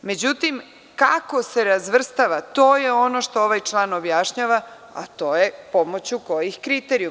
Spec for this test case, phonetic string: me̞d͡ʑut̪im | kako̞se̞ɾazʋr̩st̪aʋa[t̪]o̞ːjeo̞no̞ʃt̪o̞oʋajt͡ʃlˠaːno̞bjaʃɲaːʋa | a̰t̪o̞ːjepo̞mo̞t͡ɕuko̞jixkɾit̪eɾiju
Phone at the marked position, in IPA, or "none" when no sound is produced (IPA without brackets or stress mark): t̪